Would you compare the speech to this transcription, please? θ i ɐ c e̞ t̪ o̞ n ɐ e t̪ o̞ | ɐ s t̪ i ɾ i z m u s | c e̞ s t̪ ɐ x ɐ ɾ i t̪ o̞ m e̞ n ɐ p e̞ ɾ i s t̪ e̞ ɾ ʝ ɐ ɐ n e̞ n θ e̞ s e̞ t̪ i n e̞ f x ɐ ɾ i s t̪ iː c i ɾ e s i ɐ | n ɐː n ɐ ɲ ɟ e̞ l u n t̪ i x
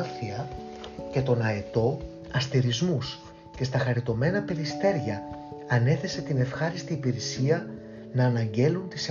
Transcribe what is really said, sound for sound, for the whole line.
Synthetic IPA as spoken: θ i ɐ c e̞ t̪ o̞ n ɐ e t̪ o̞ | ɐ s t̪ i ɾ i z m u s | c e̞ s t̪ ɐ x ɐ ɾ i t̪ o̞ m e̞ n ɐ p e̞ ɾ i s t̪ e̞ ɾ ʝ ɐ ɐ n e̞ θ e̞ s e̞ t̪ i n e̞ f x ɐ ɾ i s t̪ iː p i ɾ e s i ɐ | n ɐː n ɐ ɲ ɟ e̞ l u n t̪ i s